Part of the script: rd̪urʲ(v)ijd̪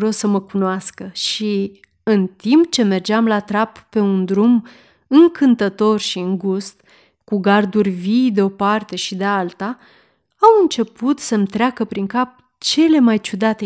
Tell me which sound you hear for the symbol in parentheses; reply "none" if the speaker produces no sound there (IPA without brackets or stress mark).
v